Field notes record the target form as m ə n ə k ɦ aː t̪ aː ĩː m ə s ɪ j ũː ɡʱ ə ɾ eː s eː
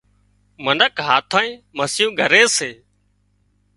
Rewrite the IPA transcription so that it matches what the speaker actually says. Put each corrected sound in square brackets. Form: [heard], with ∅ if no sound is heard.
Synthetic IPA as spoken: m ə n ə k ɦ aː [t̪ʰ] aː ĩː m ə s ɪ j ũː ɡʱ ə ɾ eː s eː